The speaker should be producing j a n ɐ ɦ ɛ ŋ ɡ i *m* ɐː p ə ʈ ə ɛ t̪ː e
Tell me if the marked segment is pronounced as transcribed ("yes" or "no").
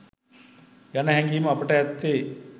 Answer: yes